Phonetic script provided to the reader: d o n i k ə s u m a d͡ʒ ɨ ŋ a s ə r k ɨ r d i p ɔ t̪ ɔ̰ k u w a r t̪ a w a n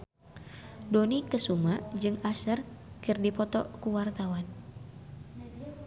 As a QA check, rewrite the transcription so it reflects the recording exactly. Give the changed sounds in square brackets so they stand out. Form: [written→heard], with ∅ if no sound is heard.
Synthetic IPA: d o n i k ə s u m a d͡ʒ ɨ ŋ a s ə r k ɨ r d i p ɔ t̪ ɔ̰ k u w a r t̪ a w a n